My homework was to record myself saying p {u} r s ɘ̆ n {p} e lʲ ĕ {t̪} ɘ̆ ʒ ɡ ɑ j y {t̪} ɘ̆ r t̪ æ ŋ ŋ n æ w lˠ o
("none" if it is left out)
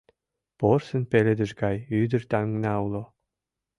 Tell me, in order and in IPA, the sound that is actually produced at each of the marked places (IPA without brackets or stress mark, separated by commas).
o, p, d̪, d̪